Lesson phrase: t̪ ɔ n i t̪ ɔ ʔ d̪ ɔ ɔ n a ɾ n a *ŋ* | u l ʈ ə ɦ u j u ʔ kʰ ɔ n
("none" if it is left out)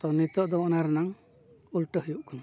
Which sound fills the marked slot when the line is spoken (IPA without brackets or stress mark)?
ŋ